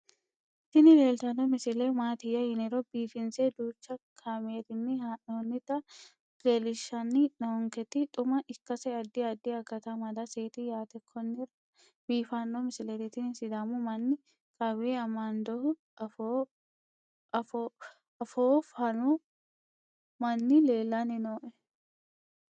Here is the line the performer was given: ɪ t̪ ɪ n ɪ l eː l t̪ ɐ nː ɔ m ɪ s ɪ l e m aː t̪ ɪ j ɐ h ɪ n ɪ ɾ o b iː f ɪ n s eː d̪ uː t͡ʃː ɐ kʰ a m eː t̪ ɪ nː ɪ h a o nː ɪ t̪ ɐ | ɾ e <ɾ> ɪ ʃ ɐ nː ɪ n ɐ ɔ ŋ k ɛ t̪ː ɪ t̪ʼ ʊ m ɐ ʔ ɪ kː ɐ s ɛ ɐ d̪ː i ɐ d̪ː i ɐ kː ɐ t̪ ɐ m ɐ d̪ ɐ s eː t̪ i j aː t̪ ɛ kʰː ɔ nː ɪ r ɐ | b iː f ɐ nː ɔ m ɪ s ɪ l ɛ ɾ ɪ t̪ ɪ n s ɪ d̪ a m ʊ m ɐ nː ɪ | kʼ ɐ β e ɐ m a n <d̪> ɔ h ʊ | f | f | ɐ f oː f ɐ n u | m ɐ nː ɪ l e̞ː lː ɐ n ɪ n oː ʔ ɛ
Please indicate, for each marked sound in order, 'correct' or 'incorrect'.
incorrect: l, correct

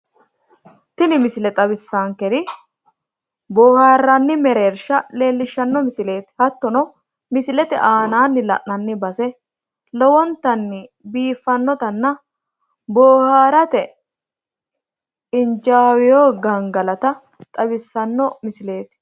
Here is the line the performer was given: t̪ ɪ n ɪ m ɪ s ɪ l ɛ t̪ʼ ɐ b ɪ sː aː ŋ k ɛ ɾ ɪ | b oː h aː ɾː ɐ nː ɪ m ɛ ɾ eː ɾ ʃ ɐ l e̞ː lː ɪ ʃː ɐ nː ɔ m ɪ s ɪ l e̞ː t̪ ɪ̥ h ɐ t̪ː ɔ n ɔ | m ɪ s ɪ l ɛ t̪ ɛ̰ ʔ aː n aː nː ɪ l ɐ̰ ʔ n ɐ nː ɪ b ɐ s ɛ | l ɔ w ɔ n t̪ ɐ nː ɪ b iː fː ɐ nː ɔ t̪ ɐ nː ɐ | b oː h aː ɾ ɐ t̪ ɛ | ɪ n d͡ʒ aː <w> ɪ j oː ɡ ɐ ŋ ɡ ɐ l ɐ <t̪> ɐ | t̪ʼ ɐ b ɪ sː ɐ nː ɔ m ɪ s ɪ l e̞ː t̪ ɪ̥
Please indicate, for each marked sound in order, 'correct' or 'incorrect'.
correct, correct

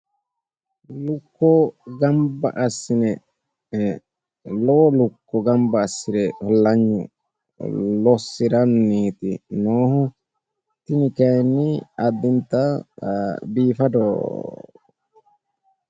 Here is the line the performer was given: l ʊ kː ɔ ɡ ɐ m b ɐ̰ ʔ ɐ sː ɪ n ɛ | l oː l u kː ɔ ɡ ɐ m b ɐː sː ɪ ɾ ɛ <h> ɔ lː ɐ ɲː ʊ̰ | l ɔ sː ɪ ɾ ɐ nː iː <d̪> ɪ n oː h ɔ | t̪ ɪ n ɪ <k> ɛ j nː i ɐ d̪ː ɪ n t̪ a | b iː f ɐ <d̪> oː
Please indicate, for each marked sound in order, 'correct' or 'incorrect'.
correct, incorrect: t̪, correct, correct

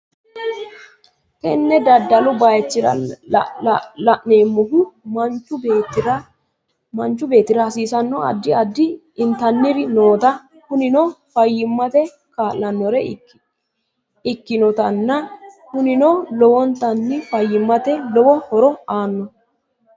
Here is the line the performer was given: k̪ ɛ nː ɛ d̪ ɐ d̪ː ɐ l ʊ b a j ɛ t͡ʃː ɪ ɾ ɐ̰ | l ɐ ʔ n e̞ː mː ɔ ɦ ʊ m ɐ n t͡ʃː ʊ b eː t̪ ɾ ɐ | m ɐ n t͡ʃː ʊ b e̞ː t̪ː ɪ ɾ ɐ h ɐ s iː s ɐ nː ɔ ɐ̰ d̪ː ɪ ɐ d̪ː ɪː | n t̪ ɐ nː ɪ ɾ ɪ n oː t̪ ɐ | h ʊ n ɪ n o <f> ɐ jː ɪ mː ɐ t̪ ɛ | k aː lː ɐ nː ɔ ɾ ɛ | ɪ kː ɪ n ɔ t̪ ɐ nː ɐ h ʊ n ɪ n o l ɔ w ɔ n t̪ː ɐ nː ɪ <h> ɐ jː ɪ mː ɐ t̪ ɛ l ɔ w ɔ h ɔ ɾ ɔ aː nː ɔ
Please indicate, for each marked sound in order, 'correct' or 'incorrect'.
correct, incorrect: f

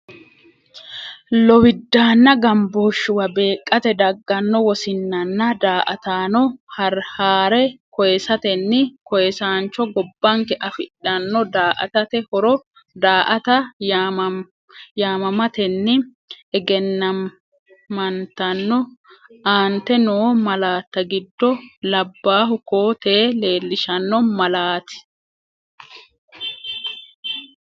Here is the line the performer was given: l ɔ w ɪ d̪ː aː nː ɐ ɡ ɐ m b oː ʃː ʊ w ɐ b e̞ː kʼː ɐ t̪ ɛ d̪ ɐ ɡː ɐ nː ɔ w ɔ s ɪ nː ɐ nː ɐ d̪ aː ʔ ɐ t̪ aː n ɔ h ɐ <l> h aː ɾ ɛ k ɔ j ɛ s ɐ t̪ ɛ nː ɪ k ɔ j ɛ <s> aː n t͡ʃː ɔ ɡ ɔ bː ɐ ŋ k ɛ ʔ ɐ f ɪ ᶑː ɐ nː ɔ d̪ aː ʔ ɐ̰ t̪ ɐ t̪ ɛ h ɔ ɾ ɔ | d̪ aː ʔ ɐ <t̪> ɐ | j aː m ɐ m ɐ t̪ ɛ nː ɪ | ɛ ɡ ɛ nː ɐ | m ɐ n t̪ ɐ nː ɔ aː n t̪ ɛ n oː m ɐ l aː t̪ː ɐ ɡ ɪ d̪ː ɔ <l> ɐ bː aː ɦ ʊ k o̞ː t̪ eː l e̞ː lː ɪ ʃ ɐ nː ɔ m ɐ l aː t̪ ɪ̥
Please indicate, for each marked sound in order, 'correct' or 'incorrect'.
incorrect: ɾ, correct, correct, correct

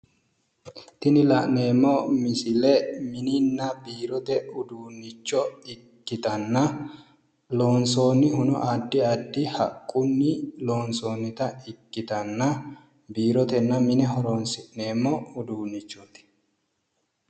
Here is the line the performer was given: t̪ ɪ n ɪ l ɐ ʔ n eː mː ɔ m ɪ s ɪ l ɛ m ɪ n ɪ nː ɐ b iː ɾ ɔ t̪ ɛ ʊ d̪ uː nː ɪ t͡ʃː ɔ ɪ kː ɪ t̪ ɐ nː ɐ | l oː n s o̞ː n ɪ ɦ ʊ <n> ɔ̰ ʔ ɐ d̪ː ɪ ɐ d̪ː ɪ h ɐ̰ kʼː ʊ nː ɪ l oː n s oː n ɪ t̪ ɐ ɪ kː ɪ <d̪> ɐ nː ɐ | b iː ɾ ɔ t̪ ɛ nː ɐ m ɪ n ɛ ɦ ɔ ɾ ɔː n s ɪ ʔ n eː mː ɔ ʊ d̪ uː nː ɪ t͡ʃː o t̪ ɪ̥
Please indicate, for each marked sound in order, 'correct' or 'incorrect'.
correct, incorrect: t̪

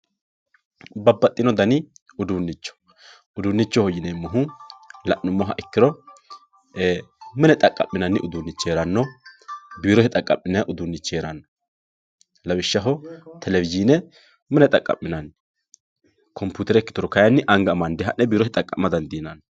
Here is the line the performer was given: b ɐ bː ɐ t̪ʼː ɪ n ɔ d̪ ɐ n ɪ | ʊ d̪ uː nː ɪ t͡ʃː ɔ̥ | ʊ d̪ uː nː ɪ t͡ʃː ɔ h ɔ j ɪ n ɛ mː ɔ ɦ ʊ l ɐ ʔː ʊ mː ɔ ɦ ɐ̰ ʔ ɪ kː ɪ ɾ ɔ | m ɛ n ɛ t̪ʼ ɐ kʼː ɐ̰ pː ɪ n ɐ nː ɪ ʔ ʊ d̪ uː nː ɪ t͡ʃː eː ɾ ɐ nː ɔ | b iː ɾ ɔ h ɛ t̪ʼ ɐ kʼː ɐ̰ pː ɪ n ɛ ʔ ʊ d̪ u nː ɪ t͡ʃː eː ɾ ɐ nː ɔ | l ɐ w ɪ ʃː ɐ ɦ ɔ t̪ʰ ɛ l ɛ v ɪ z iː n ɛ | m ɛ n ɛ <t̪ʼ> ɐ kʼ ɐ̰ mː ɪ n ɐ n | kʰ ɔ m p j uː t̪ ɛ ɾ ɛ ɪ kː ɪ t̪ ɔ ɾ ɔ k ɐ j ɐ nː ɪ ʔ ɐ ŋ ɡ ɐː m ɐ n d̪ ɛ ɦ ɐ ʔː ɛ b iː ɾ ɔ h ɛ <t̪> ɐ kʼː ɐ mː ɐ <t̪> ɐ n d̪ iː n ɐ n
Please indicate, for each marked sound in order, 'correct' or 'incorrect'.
correct, incorrect: t̪ʼ, incorrect: d̪

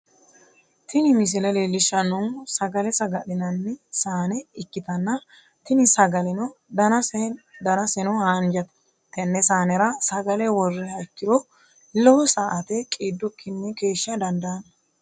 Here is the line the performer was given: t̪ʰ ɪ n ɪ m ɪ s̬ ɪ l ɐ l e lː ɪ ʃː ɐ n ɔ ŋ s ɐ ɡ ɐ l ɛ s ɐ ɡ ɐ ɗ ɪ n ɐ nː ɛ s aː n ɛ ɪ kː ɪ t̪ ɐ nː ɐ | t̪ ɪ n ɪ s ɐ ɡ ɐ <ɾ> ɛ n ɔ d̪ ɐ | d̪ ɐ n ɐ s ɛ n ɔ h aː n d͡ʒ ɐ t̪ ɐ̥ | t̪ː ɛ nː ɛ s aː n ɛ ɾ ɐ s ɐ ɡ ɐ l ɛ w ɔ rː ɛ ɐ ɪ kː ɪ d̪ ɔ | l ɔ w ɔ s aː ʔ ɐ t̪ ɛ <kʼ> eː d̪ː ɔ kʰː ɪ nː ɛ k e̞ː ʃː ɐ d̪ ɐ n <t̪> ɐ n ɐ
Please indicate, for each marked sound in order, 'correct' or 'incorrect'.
incorrect: l, correct, incorrect: d̪

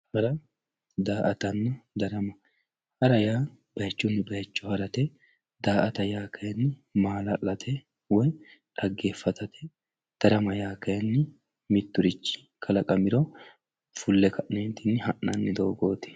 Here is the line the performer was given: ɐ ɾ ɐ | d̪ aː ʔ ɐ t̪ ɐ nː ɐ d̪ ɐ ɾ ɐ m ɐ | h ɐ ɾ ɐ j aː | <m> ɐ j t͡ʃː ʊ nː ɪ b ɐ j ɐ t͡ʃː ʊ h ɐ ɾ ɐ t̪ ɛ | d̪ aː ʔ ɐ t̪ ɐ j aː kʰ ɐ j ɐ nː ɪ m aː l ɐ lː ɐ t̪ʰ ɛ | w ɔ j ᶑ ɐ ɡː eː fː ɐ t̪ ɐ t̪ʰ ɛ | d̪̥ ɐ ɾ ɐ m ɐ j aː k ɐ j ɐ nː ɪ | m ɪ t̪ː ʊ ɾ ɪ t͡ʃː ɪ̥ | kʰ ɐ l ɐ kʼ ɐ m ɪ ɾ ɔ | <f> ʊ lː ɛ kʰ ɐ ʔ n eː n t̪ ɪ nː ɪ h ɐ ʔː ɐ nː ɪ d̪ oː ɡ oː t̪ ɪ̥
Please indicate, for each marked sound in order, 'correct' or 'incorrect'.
incorrect: b, correct

